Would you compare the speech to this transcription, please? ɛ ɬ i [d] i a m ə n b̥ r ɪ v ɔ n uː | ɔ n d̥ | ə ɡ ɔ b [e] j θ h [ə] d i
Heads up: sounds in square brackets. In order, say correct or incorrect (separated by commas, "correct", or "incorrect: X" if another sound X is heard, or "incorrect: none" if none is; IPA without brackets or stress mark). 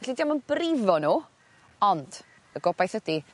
correct, incorrect: a, correct